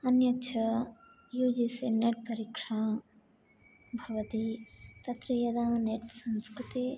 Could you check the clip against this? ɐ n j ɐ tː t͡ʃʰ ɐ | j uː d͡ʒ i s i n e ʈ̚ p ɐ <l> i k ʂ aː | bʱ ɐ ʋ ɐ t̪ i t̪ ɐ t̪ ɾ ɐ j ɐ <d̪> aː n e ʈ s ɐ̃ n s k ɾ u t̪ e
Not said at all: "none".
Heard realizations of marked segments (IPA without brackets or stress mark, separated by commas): ɾ, d̪